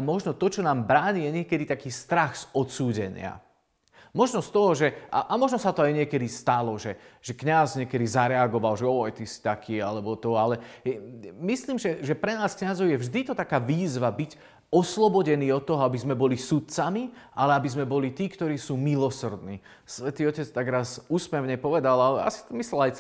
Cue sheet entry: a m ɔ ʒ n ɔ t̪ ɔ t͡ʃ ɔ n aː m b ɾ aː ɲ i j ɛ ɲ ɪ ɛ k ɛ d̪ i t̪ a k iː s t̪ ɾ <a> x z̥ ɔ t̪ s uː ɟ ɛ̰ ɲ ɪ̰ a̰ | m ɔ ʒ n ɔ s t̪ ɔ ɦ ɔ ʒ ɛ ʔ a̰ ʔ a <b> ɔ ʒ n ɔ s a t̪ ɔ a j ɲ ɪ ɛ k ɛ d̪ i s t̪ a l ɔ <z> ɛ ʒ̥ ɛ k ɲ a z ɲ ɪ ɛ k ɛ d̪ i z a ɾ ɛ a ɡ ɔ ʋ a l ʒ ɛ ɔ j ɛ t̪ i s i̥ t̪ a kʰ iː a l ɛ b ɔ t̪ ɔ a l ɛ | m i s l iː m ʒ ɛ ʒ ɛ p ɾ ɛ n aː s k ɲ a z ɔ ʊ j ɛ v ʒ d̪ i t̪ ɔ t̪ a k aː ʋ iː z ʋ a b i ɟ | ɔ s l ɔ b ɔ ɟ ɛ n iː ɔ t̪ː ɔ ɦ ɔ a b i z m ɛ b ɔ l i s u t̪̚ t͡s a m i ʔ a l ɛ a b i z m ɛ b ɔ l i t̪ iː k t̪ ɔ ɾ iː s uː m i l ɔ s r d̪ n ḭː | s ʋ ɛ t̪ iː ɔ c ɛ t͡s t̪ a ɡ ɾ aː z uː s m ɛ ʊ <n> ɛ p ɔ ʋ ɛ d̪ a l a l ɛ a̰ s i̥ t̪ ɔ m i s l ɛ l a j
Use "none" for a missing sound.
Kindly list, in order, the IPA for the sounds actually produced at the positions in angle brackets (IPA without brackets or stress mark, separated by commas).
a, m, ʒ, ɲ